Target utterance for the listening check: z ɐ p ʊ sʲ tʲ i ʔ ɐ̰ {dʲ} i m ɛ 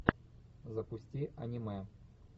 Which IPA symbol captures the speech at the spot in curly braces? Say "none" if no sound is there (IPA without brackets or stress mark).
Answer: nʲ